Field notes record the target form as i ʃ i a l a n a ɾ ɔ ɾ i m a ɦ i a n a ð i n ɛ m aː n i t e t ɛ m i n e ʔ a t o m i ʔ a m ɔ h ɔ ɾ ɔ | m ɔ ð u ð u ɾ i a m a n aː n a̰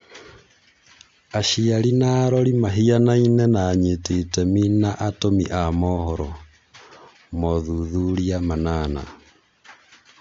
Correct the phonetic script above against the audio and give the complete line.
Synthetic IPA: a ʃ i a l i n a ɾ ɔ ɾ i m a ɦ i a n a i n ɛ n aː ɲ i t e t ɛ m i n a ʔ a t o m i ʔ a m ɔ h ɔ ɾ ɔ | m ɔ ð u ð u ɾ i a m a n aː n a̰